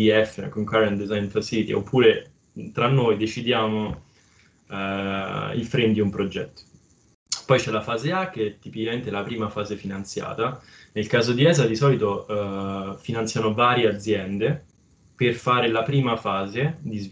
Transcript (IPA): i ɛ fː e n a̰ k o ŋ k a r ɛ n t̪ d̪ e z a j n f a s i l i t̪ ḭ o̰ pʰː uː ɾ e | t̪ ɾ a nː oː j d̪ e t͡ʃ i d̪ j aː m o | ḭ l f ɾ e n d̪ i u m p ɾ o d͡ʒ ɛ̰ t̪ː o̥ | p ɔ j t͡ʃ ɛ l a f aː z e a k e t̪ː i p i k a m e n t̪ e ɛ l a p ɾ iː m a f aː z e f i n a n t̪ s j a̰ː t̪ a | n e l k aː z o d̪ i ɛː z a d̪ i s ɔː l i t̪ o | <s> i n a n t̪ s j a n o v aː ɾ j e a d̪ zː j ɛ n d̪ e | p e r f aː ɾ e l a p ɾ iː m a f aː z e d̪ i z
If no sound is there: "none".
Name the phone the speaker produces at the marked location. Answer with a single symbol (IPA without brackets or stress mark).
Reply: f